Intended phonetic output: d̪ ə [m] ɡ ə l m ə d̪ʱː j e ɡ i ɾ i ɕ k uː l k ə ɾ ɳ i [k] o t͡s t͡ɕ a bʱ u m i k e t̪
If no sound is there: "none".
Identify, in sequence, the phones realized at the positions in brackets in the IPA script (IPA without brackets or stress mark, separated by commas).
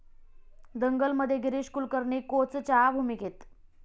ŋ, k